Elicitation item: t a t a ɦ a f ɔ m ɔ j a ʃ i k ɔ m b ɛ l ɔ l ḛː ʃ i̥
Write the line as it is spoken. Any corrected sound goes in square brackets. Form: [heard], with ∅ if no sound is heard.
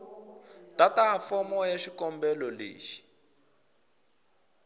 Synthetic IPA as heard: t a t a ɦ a f ɔ m ɔ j a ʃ i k ɔ m b ɛ l ɔ l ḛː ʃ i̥